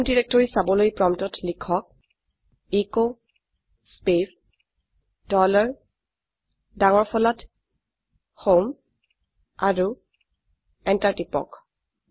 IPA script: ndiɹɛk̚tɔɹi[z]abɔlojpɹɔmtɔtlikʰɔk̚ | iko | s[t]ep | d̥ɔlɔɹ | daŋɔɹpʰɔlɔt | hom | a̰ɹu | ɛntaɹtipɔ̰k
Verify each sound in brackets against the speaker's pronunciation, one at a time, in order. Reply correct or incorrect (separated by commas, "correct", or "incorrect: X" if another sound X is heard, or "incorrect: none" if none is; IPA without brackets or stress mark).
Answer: incorrect: s, incorrect: p